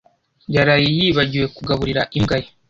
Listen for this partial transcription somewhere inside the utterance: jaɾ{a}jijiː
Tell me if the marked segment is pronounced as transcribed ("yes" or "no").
yes